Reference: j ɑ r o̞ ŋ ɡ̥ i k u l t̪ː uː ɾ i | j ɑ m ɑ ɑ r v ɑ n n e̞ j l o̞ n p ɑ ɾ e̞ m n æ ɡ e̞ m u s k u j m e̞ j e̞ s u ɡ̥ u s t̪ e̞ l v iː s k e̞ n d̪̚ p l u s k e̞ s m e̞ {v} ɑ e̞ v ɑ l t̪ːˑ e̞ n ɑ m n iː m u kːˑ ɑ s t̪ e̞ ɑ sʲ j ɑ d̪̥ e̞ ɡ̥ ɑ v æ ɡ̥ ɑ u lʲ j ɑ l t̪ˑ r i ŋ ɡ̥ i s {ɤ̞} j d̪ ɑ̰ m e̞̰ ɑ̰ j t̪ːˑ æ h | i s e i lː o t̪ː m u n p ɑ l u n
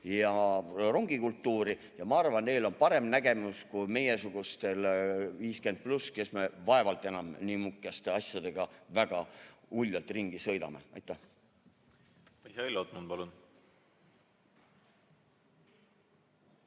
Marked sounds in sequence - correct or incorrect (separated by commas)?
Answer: correct, correct